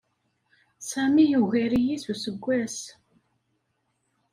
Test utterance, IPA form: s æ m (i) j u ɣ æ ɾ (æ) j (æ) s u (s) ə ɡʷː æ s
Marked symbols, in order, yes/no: yes, no, no, yes

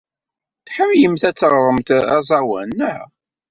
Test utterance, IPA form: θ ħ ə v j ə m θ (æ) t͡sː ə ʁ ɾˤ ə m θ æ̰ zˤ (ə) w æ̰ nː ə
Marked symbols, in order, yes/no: yes, no

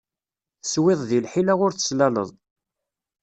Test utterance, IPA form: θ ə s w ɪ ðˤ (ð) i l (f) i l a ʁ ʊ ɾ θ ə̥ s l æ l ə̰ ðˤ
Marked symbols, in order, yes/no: yes, no

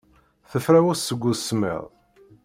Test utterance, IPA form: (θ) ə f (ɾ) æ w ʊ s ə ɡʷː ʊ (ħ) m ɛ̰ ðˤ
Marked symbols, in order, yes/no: yes, yes, no

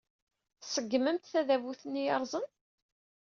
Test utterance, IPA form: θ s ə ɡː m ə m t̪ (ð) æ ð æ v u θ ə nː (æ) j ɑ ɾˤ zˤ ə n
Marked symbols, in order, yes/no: no, no

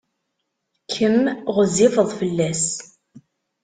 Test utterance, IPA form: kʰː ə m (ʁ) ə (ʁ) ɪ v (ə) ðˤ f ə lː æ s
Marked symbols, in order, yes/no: yes, no, yes

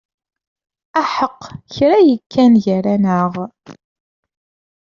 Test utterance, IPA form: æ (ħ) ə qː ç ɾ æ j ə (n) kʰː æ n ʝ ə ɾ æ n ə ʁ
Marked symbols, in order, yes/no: yes, no

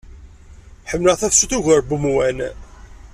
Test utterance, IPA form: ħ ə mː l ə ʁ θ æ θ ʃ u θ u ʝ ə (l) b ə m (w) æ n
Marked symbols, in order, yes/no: no, yes

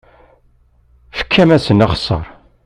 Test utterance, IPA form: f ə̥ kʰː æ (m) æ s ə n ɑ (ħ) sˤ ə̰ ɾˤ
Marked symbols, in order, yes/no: yes, no

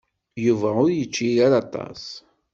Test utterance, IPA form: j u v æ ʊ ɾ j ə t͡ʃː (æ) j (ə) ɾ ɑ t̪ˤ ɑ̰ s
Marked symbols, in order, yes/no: no, no

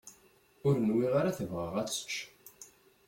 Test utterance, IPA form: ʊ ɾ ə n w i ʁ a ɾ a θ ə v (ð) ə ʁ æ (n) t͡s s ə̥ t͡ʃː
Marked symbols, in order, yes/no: no, no

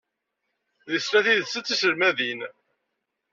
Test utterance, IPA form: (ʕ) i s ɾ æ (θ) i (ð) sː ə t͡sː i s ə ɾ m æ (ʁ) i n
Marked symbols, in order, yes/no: no, yes, yes, no

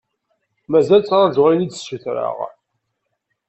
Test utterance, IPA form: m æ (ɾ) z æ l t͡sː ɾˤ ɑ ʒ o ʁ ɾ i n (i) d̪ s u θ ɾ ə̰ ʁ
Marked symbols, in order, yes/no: no, yes

